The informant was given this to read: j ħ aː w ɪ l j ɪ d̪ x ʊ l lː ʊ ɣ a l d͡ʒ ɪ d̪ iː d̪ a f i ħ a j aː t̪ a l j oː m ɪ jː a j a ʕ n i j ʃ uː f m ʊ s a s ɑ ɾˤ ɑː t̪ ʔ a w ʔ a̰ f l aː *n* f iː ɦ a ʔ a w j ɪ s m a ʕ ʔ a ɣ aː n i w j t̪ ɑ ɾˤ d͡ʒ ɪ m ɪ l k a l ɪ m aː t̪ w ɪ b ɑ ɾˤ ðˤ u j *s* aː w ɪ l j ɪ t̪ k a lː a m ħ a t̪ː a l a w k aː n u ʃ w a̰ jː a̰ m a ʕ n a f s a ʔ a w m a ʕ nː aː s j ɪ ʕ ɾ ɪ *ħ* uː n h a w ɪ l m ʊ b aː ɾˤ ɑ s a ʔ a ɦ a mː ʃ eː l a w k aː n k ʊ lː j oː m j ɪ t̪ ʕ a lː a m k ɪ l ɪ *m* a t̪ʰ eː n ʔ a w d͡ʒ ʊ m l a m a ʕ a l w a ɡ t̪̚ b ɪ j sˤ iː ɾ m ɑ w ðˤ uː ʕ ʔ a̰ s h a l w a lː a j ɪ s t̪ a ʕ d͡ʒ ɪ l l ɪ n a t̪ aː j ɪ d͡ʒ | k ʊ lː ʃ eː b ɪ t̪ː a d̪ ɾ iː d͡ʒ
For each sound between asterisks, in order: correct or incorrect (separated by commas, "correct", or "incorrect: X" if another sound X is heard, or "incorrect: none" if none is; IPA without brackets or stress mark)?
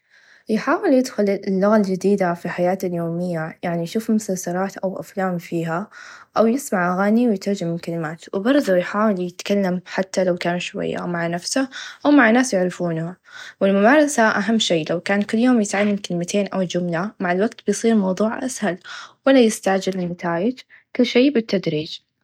incorrect: m, incorrect: ħ, incorrect: f, correct